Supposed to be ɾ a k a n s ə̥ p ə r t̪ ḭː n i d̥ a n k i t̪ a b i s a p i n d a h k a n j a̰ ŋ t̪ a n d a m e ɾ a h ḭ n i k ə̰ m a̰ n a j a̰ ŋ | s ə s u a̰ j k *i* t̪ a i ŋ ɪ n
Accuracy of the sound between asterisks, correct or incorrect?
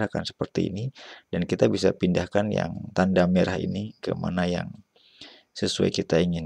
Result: correct